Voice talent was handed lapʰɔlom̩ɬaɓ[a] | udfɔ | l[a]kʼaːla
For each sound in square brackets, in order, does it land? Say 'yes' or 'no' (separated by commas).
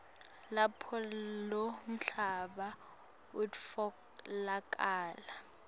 yes, yes